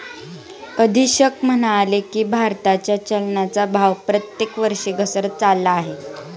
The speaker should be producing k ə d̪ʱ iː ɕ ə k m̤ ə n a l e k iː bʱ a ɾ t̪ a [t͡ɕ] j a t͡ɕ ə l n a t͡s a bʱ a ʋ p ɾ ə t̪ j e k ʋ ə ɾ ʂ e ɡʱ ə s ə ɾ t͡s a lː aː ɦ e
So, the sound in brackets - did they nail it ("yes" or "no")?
yes